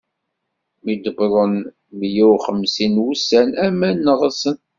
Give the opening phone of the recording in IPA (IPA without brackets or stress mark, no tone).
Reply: m